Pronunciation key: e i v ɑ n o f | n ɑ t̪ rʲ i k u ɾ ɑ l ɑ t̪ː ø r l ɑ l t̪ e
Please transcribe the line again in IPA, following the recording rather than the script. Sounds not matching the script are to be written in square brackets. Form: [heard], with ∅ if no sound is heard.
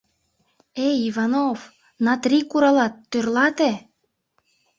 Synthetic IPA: e i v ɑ n o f | n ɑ t̪ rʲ i k u ɾ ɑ l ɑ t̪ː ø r l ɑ [∅] t̪ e